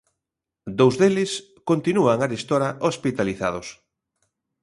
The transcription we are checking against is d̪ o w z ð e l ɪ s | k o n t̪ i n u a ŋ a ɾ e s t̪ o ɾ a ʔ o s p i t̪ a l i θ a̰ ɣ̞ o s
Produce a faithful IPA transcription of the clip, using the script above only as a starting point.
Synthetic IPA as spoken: d̪ o w z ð e l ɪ s | k o n t̪ i n u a ŋ a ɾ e s t̪ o ɾ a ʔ o s p i t̪ a l i θ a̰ ð̞ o s

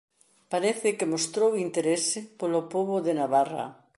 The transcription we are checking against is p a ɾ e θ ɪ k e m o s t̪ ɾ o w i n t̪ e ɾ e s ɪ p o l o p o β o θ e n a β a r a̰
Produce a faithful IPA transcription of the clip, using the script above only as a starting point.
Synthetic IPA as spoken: p a ɾ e θ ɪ k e m o s t̪ ɾ o w i n t̪ e ɾ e s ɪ p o l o p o β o ð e n a β a r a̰

